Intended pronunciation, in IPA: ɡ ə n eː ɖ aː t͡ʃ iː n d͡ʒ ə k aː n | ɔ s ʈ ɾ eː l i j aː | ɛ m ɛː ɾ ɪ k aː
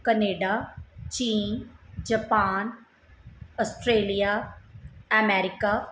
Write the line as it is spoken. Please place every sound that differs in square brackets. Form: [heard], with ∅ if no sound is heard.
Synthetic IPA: [k] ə n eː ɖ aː t͡ʃ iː n d͡ʒ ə [p] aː n | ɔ s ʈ ɾ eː l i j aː | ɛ m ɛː ɾ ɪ k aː